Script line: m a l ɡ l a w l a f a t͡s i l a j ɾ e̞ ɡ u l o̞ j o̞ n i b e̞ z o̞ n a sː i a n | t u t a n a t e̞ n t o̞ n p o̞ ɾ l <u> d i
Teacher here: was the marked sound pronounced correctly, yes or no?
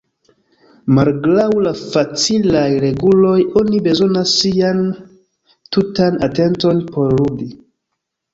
yes